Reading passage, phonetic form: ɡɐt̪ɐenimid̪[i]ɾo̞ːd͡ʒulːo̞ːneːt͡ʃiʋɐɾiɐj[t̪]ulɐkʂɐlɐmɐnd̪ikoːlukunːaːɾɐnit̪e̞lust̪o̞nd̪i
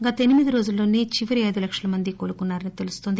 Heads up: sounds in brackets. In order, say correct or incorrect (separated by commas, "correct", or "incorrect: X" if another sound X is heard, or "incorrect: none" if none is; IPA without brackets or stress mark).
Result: correct, incorrect: d̪